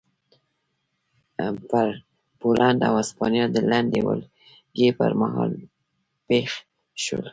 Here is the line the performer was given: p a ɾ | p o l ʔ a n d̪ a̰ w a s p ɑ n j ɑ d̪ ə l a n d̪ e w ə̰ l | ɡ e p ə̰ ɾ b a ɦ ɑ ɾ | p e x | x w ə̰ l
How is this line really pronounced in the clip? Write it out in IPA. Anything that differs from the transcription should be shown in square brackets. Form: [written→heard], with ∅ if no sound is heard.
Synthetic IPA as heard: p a ɾ | p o l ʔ a n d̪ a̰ w a s p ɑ n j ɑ d̪ ə l a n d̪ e w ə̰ l | ɡ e p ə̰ ɾ [b→m] a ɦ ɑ [ɾ→l] | p e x | [x→ʃ] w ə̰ l

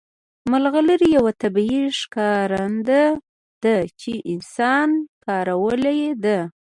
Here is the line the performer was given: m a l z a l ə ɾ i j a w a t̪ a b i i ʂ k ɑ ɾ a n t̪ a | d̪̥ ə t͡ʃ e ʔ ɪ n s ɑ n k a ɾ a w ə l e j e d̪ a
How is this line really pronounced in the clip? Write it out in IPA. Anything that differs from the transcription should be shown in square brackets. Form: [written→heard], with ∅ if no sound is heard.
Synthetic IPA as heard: m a l [z→ɣ] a l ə ɾ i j a w a t̪ a b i i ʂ k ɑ ɾ a n [t̪→d̪] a | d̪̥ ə t͡ʃ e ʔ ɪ n s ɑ n k [a→ɑ] ɾ a w ə l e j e d̪ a

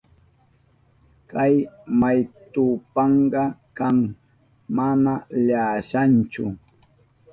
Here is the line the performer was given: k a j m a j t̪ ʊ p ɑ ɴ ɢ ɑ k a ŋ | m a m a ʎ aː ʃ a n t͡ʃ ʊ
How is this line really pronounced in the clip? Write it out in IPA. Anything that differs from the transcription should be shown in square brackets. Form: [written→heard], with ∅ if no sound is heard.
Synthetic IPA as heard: k a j m a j t̪ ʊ p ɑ ɴ ɢ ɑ k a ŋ | m a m a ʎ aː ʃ a n t͡ʃ ʊ

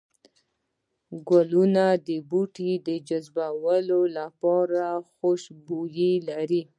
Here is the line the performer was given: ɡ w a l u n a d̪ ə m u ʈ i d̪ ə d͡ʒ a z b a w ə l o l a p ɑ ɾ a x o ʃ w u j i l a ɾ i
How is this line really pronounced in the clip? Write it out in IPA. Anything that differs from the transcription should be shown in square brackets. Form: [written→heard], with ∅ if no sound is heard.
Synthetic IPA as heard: ɡ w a l u n a d̪ ə [m→b] u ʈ i d̪ ə d͡ʒ a z b a w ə l o l a p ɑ ɾ a x o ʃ [w→b] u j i l a ɾ i

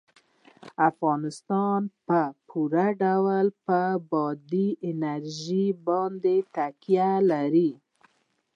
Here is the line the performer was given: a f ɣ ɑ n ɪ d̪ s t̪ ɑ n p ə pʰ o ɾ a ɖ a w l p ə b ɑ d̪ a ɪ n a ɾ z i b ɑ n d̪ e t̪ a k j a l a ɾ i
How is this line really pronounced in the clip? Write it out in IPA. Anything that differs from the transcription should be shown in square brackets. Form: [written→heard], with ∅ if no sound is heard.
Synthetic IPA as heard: a f ɣ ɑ n ɪ [d̪→∅] s t̪ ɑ n p ə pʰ [o→u] ɾ a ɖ a w l p ə b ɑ d̪ [a→i] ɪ n a ɾ [z→ʒ] i b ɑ n d̪ e t̪ a k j a l a ɾ i

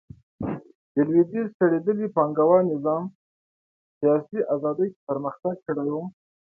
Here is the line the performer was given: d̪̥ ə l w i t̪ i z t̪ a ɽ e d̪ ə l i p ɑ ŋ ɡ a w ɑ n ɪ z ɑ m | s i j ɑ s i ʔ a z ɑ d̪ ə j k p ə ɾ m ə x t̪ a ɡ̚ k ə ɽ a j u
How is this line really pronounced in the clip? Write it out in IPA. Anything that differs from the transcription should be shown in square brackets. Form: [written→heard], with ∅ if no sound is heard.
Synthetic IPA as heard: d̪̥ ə l w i [t̪→d̪] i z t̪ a ɽ e d̪ ə l i p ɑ ŋ ɡ a w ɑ n ɪ z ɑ m | s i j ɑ s i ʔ a z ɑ d̪ ə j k p ə ɾ m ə x t̪ a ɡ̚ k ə ɽ a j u

